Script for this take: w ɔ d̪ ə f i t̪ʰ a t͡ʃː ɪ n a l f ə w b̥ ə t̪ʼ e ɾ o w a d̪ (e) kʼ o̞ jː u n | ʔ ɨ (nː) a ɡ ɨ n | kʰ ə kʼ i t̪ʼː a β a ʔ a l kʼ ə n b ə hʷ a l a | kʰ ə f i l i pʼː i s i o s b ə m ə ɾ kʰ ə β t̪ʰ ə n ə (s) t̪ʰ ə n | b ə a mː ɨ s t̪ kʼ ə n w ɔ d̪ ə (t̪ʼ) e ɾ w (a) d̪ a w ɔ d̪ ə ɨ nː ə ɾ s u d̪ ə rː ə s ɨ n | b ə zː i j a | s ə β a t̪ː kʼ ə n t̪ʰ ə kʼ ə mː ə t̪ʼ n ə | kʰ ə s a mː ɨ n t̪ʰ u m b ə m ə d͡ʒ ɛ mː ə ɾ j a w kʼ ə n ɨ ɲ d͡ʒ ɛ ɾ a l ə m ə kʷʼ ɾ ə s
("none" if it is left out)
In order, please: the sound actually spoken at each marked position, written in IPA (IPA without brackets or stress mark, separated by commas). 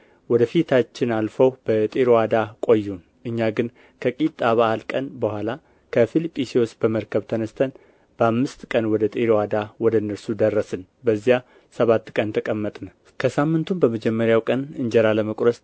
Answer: a, ɲː, s, t̪ʼ, a